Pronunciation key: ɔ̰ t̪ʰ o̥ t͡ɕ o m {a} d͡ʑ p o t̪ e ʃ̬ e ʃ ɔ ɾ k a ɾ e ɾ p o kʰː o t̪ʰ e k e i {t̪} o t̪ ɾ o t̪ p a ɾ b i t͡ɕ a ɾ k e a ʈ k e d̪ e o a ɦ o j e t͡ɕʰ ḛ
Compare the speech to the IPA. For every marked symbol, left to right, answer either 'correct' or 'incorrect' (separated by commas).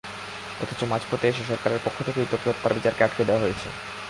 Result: correct, correct